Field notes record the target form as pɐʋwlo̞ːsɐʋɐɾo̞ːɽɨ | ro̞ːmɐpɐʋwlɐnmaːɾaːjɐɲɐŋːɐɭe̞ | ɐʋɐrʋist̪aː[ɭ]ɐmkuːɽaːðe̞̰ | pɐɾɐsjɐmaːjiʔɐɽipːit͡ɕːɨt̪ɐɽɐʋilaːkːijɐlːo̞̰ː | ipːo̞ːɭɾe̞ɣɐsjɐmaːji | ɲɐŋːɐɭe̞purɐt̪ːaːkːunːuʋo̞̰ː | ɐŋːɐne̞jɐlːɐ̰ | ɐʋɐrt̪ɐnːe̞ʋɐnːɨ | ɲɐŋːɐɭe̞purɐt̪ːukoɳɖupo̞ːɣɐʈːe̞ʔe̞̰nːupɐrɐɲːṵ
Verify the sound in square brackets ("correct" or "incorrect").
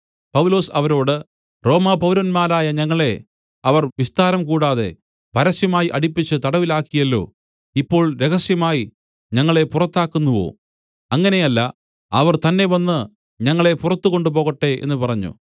incorrect